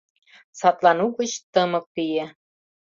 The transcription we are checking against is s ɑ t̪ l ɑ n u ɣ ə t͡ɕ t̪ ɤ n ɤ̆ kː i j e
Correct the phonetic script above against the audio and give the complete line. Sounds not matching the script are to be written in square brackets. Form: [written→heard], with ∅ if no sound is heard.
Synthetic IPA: s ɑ t̪ l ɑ n u ɣ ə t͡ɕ t̪ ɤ [n→m] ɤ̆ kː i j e